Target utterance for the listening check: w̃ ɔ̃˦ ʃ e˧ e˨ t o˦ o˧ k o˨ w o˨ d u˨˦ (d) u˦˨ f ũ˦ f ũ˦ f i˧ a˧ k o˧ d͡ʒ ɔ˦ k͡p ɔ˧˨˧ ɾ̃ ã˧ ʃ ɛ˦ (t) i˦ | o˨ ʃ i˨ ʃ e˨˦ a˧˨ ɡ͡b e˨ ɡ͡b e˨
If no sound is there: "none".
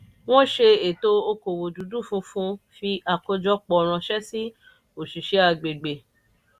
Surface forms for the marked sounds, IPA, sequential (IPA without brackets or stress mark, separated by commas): d, s